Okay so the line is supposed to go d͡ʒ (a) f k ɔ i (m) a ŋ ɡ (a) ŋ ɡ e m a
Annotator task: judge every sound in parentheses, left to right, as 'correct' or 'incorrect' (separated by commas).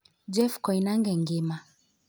incorrect, incorrect, incorrect